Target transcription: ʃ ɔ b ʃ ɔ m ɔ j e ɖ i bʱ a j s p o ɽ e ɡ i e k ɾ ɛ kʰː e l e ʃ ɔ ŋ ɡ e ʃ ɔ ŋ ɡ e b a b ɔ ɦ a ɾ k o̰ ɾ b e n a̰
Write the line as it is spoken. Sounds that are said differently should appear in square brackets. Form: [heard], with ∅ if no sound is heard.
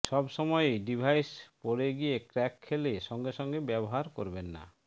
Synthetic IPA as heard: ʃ ɔ b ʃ ɔ m ɔ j e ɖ i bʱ a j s p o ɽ e ɡ i e k ɾ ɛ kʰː e l e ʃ ɔ ŋ ɡ e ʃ ɔ ŋ ɡ e b [ɛ] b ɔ ɦ a ɾ k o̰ ɾ b e [nː] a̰